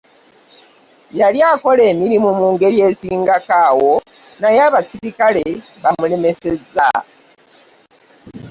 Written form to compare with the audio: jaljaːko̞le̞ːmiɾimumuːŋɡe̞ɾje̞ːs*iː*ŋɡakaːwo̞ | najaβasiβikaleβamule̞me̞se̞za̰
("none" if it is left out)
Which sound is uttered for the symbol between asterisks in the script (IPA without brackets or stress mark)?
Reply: iː